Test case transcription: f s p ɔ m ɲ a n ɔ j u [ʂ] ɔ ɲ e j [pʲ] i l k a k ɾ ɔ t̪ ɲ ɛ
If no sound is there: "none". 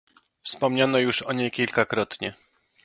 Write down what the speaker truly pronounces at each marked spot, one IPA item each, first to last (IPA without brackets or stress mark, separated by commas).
ʂ, kʲ